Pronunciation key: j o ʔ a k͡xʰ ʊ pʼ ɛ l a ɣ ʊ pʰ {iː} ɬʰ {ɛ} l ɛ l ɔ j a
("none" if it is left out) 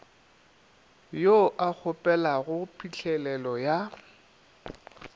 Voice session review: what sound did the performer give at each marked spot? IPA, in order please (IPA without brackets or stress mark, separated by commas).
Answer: i, ɛ